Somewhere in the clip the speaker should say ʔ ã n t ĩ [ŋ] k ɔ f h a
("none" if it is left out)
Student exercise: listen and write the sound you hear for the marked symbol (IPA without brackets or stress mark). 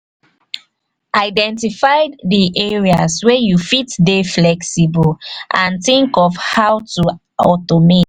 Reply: ŋ